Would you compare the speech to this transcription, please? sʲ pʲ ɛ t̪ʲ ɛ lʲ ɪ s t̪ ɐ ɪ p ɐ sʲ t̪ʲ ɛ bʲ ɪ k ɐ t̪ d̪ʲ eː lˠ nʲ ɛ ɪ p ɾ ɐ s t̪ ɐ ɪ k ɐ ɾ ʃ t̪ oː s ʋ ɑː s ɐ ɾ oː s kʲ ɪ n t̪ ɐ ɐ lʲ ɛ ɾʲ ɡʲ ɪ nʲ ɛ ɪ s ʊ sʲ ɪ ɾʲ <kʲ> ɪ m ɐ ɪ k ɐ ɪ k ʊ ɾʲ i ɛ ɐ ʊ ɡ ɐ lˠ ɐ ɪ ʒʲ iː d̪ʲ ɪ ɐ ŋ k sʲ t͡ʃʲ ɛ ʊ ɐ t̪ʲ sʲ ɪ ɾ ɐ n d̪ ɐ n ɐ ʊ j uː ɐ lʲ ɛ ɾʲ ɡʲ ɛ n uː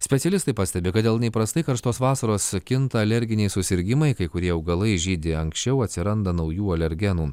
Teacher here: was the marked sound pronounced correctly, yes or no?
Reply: no